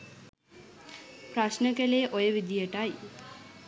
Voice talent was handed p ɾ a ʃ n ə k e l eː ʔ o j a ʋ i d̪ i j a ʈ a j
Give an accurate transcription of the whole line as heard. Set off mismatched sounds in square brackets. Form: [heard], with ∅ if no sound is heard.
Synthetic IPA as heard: p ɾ a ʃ n ə k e l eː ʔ o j [ə] ʋ i d̪ i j [ə] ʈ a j